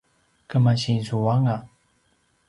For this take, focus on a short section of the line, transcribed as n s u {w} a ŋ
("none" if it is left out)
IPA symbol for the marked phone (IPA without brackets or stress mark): w